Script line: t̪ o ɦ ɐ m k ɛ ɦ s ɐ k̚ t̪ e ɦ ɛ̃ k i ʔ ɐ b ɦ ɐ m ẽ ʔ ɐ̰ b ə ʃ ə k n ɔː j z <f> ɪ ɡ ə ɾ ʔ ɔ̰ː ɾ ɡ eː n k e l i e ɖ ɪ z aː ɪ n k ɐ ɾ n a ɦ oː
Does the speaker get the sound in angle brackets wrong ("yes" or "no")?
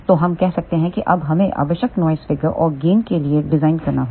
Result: no